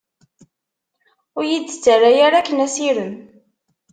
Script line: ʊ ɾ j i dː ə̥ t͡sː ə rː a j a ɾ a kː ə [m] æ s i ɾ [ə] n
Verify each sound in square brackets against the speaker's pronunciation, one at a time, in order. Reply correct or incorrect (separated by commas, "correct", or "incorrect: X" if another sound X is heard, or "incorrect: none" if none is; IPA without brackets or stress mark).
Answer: incorrect: n, correct